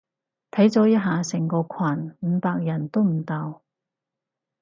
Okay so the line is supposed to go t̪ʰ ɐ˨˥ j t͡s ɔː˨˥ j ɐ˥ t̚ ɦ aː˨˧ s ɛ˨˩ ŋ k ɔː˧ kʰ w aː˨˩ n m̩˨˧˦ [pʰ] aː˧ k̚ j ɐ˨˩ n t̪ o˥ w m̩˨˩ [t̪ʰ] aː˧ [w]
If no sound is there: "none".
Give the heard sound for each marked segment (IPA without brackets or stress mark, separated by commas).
p, t̪, w